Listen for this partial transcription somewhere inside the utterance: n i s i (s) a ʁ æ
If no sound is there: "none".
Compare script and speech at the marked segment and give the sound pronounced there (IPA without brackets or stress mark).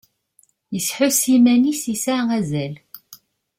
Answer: s